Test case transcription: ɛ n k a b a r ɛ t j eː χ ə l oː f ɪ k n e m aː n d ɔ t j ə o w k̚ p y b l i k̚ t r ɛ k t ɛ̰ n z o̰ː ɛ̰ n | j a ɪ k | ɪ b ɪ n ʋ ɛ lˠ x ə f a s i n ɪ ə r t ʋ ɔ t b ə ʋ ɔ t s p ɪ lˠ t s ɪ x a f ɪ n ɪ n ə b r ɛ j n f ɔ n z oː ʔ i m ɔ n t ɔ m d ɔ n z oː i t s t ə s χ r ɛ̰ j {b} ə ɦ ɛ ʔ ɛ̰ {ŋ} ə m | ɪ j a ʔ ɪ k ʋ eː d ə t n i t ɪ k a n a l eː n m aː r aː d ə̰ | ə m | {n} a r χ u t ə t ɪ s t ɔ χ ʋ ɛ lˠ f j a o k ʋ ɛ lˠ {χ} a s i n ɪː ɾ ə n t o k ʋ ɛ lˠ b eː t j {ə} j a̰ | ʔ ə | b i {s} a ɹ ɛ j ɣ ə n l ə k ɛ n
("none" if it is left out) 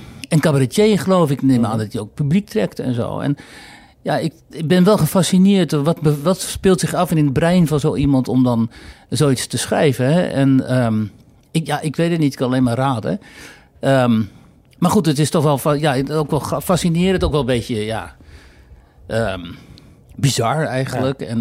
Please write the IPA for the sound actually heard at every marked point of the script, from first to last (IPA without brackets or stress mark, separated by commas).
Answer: v, n, m, f, ə, z